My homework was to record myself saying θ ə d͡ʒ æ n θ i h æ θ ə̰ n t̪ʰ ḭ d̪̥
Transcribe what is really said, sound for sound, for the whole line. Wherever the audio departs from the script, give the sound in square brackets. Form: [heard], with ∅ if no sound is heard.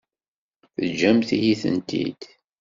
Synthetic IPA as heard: θ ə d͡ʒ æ [m] θ i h [i] θ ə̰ n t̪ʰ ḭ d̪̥